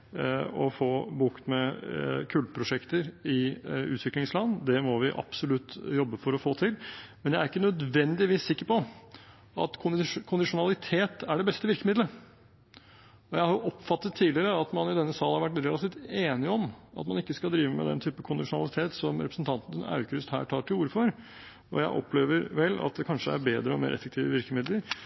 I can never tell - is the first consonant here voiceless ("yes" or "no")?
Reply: yes